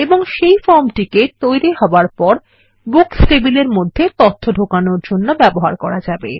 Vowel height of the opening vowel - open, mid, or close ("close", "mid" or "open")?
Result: mid